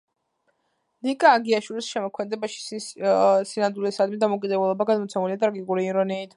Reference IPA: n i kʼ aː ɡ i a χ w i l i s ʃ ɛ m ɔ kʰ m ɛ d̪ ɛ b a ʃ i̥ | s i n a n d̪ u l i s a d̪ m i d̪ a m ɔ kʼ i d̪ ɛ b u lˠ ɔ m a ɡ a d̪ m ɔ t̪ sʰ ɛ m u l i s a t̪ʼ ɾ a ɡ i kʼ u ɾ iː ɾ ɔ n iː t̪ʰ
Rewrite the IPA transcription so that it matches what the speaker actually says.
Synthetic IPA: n i kʼ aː ɡ i a ʃ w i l i s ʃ ɛ m ɔ kʰ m ɛ d̪ ɛ b a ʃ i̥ | s i n a n d̪ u l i s a d̪ m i d̪ a m ɔ kʼ i d̪ ɛ b u lˠ ɔ b a ɡ a d̪ m ɔ t̪ sʰ ɛ m u l i a t̪ʼ ɾ a ɡ i kʼ u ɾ iː ɾ ɔ n iː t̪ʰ

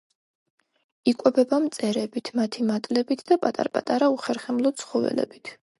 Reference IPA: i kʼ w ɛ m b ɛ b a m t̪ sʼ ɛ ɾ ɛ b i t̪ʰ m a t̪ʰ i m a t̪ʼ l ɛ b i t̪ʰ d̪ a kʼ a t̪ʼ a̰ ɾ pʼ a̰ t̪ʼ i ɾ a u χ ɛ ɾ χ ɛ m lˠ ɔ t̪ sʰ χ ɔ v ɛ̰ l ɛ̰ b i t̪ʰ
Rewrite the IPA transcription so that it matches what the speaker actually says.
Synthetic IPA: i kʼ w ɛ b ɛ b a m t̪ sʼ ɛ ɾ ɛ b i t̪ʰ m a t̪ʰ i m a t̪ʼ l ɛ b i t̪ʰ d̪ a pʼ a t̪ʼ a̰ ɾ pʼ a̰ t̪ʼ a ɾ a u χ ɛ ɾ χ ɛ m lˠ ɔ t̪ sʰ χ ɔ v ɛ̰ l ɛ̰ b i t̪ʰ

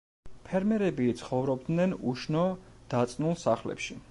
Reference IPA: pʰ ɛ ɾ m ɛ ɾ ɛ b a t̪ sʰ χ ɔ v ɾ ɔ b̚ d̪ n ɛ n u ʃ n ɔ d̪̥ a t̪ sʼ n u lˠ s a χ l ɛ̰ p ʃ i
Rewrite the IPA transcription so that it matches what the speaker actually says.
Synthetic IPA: pʰ ɛ ɾ m ɛ ɾ ɛ b i t̪ sʰ χ ɔ v ɾ ɔ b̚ d̪ n ɛ n u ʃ n ɔ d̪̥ a t̪ sʼ n u lˠ s a χ l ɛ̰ p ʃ i

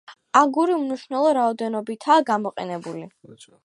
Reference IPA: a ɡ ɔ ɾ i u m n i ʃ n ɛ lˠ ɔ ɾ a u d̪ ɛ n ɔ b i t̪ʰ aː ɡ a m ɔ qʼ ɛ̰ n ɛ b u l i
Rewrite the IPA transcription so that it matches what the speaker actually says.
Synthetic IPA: a ɡ u ɾ i u m n i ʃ n ɛ lˠ ɔ ɾ a ɔ d̪ ɛ n ɔ b i t̪ʰ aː ɡ a m ɔ qʼ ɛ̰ n ɛ b u l i

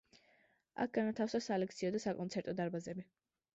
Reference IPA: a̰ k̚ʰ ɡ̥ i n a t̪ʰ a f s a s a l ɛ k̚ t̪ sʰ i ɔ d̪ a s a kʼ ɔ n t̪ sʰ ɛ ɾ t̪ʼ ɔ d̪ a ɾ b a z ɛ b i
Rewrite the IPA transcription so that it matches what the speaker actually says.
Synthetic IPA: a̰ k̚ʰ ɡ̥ a n a t̪ʰ a f s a s a l ɛ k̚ t̪ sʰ i ɔ d̪ a s a kʼ ɔ n t̪ sʰ ɛ ɾ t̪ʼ ɔ d̪ a ɾ b a z ɛ b i

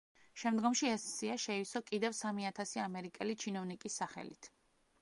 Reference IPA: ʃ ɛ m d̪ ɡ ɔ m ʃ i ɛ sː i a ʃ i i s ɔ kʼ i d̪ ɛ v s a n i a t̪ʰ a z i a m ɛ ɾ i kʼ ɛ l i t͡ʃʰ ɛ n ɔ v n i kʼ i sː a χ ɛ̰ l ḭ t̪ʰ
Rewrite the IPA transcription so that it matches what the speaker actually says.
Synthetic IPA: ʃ ɛ m d̪ ɡ ɔ m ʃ i ɛ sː i a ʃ ɛ i s ɔ kʼ i d̪ ɛ v s a m i a t̪ʰ a s i a m ɛ ɾ i kʼ ɛ l i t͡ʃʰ i n ɔ v n i kʼ i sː a χ ɛ̰ l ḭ t̪ʰ

